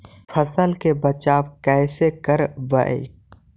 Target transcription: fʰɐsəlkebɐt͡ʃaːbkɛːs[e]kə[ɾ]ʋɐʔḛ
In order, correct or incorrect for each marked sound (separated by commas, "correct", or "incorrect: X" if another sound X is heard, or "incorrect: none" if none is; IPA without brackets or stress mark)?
correct, correct